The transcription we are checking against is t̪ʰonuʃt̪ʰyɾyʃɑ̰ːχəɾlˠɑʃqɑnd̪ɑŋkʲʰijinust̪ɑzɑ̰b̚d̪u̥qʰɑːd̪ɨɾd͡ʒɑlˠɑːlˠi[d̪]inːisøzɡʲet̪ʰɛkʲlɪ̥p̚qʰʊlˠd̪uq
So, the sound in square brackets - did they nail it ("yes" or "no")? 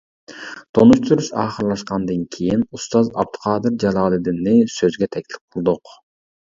yes